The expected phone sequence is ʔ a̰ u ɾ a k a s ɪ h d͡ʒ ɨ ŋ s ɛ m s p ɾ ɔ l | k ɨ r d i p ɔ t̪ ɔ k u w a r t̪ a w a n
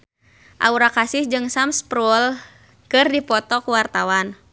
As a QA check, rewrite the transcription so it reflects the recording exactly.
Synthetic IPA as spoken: ʔ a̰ u ɾ a k a s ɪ h d͡ʒ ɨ ŋ s a m s p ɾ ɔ l | k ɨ r d i p ɔ t̪ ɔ k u w a r t̪ a w a n